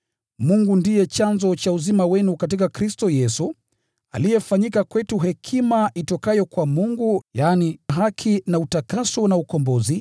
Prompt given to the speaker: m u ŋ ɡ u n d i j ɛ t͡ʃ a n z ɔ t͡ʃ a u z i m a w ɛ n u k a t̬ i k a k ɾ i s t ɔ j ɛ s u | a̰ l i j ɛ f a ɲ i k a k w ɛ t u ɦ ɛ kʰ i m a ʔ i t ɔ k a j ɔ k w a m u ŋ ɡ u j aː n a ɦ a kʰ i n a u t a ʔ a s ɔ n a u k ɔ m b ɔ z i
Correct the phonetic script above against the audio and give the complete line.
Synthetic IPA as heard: m u ŋ ɡ u n d i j ɛ t͡ʃ a n z ɔ t͡ʃ a u z i m a w ɛ n u k a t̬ i k a k ɾ i s t ɔ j ɛ s u | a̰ l i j ɛ f a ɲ i k a k w ɛ t u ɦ ɛ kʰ i m a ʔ i t ɔ k a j ɔ k w a m u ŋ ɡ u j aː n i ɦ a kʰ i n a u t a k a s ɔ n a u k ɔ m b ɔ z i

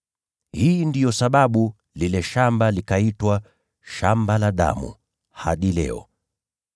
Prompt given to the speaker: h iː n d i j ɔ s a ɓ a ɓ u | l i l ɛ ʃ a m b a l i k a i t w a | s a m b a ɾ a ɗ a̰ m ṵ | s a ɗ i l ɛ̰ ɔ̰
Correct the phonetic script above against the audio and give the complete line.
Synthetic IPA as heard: h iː n d i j ɔ s a ɓ a ɓ u | l i l ɛ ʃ a m b a l i k a i t w a | ʃ a m b a l a ɗ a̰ m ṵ | h a ɗ i l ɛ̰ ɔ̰

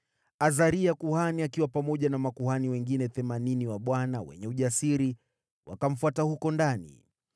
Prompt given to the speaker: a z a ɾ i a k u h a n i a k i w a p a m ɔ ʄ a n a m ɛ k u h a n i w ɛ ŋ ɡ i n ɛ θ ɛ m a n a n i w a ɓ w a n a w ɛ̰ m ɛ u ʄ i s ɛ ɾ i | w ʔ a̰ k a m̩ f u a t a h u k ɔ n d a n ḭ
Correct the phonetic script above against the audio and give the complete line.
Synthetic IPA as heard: a z a ɾ i a k u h a n i a k i w a p a m ɔ ʄ a n a m a k u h a n i w ɛ ŋ ɡ i n ɛ θ ɛ m a n i n i w a ɓ w a n a w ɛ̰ ɲ ɛ u ʄ a s i ɾ i | w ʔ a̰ k a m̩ f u a t a h u k ɔ n d a n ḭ

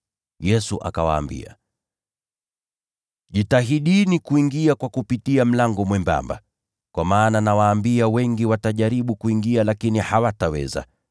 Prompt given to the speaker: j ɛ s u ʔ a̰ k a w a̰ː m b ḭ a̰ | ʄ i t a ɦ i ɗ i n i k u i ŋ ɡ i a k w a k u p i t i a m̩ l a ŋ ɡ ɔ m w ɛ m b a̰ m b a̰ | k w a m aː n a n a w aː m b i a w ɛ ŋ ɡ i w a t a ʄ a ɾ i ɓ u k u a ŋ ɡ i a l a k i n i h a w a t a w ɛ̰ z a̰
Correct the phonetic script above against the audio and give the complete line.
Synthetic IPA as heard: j ɛ s u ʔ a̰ k a w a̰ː m b ḭ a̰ | ʄ i t a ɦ i ɗ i n i k u i ŋ ɡ i a k w a k u p i t i a m̩ l a ŋ ɡ ɔ m w ɛ m b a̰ m b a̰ | k w a m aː n a n a w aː m b i a w ɛ ŋ ɡ i w a t a ʄ a ɾ i ɓ u k u i ŋ ɡ i a l a k i n i h a w a t a w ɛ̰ z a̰

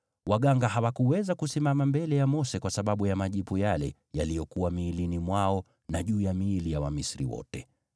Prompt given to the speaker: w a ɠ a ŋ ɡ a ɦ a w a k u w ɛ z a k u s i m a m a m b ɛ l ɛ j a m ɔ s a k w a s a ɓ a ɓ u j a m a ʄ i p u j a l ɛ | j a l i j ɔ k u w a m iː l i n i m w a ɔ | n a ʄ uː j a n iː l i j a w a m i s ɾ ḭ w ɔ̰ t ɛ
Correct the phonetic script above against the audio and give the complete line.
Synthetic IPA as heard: w a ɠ a ŋ ɡ a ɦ a w a k u w ɛ z a k u s i m a m a m b ɛ l ɛ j a m ɔ s ɛ k w a s a ɓ a ɓ u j a m a ʄ i p u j a l ɛ | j a l i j ɔ k u w a m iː l i n i m w a ɔ | n a ʄ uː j a m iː l i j a w a m i s ɾ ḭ w ɔ̰ t ɛ

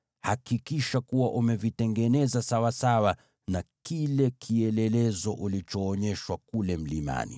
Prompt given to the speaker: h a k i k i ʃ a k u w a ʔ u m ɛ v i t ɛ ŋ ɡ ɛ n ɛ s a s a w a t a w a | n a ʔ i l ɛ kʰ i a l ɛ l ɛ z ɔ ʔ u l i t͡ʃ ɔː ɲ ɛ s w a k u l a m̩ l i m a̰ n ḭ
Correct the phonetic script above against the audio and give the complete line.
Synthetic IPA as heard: h a k i k i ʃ a k u w a ʔ u m ɛ v i t ɛ ŋ ɡ ɛ n ɛ z a s a w a s a w a | n a k i l ɛ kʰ i ɛ l ɛ l ɛ z ɔ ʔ u l i t͡ʃ ɔː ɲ ɛ ʃ w a k u l ɛ m̩ l i m a̰ n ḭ

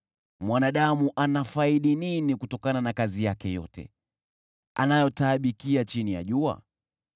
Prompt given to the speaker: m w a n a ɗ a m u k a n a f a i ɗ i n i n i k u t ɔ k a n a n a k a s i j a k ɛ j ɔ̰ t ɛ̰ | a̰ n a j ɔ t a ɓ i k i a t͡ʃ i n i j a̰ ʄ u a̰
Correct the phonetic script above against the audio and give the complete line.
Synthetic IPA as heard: m w a n a ɗ a m u ʔ a n a f a i ɗ i n i n i k u t ɔ k a n a n a k a z i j a k ɛ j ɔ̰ t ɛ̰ | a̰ n a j ɔ t a ɓ i k i a t͡ʃ i n i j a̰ ʄ u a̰

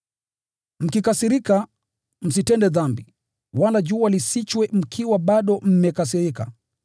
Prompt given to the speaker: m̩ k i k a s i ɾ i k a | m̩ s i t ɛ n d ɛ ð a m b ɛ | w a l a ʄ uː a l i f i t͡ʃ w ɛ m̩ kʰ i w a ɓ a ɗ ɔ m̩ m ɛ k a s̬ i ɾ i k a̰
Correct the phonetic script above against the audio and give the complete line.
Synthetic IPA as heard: m̩ k i k a s i ɾ i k a | m̩ s i t ɛ n d ɛ ð a m b i | w a l a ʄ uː a l i s i t͡ʃ w ɛ m̩ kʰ i w a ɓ a ɗ ɔ m̩ m ɛ k a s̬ i ɾ i k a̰

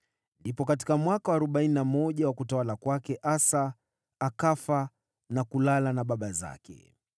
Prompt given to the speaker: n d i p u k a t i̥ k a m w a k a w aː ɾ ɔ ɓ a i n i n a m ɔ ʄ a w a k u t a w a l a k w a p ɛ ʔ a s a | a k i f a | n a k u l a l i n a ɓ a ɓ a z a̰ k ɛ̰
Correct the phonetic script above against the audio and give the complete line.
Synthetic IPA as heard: n d i p ɔ k a t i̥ k a m w a k a w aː ɾ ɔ ɓ a i n i n a m ɔ ʄ a w a k u t a w a l a k w a k ɛ ʔ a s a | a k a f a | n a k u l a l a n a ɓ a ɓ a z a̰ k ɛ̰

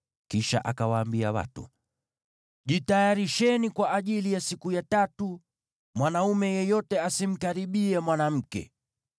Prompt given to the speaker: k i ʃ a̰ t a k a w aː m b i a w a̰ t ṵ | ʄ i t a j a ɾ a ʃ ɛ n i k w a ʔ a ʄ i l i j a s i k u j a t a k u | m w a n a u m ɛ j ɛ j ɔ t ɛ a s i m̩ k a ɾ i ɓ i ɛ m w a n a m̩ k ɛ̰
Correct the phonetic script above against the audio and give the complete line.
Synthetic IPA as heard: k i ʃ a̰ ʔ a k a w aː m b i a w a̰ t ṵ | ʄ i t a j a ɾ i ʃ ɛ n i k w a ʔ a ʄ i l i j a s i k u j a t a t u | m w a n a u m ɛ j ɛ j ɔ t ɛ a s i m̩ k a ɾ i ɓ i ɛ m w a n a m̩ k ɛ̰

